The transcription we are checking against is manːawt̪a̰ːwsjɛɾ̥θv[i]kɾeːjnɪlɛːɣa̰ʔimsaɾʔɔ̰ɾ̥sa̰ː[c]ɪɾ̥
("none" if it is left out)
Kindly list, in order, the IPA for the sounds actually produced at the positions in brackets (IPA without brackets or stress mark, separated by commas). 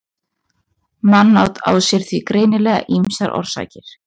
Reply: i, c